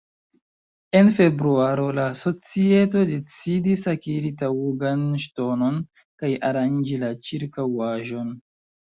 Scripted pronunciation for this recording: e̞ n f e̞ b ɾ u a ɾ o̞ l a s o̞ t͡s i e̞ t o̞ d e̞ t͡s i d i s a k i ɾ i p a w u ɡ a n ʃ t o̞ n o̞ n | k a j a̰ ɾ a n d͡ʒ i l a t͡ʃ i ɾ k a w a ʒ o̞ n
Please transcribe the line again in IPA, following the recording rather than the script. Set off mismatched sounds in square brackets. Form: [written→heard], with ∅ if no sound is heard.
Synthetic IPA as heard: e̞ n f e̞ b ɾ u a ɾ o̞ l a s o̞ t͡s i e̞ t o̞ d e̞ t͡s i d i s a k i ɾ i [p→t] a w u ɡ a n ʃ t o̞ n o̞ n | k a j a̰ ɾ a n d͡ʒ i l a t͡ʃ i ɾ k a w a ʒ o̞ n